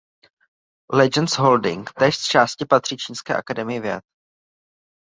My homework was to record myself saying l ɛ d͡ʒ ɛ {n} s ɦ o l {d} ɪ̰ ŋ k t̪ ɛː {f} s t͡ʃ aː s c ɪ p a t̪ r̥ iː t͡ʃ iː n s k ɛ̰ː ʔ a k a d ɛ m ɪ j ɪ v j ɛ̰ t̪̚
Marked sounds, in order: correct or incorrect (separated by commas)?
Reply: correct, correct, incorrect